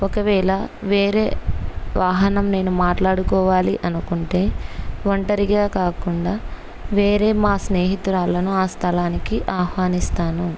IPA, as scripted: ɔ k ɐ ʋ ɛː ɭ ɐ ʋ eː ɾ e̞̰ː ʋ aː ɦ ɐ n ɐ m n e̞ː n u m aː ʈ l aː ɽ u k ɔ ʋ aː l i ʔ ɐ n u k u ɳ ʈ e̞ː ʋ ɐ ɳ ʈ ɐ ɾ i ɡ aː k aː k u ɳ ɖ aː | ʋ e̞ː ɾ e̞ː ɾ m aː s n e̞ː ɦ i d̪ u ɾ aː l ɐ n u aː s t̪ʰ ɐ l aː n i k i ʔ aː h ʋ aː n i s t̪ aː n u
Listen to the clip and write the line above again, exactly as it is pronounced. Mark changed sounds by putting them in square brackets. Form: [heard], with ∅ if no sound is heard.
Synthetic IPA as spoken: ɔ k ɐ ʋ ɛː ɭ ɐ ʋ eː ɾ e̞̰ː ʋ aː ɦ ɐ n ɐ m n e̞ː n u m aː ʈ l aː ɽ u k [ɔː] ʋ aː l i ʔ ɐ n u k u ɳ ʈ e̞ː ʋ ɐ ɳ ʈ ɐ ɾ i ɡ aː k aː k u ɳ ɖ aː | ʋ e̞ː ɾ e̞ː [∅] m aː s n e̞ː ɦ i [t̪] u ɾ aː l ɐ n u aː s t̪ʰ ɐ l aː n i k i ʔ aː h ʋ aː n i s t̪ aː n u